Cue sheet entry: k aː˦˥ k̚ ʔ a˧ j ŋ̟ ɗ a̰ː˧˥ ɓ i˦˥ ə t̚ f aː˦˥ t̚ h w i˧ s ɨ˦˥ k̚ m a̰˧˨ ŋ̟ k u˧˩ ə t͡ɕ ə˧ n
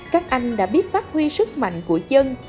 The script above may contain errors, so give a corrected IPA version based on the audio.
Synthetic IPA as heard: k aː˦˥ k̚ ʔ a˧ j ŋ̟ ɗ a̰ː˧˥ ɓ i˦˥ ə t̚ f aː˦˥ t̚ h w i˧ s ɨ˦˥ k̚ m a̰˧˨ ŋ̟ k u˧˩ ə t͡ɕ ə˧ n